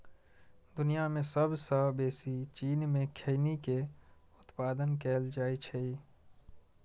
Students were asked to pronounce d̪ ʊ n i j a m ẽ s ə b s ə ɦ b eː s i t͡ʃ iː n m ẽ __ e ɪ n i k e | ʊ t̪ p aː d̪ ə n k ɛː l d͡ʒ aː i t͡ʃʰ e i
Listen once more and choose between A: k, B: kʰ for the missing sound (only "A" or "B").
B